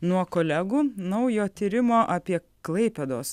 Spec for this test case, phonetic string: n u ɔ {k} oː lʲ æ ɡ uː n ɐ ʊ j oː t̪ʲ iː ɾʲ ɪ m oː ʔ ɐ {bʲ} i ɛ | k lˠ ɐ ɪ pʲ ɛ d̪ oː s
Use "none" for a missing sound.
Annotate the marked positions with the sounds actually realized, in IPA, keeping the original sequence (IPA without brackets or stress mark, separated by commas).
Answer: k, pʲ